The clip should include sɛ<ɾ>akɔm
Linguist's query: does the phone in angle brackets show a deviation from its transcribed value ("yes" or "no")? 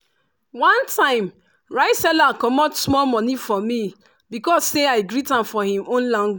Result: yes